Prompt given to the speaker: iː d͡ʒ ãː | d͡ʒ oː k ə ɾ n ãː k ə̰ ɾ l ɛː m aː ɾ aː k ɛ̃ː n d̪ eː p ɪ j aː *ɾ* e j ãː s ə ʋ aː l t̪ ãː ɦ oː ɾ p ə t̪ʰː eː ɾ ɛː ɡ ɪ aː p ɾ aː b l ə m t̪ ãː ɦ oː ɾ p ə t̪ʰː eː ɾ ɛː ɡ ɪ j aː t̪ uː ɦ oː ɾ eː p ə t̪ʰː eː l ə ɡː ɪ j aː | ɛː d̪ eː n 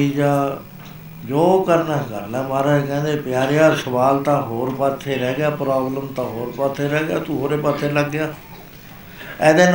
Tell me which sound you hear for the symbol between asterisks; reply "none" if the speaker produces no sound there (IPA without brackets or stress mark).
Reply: ɾ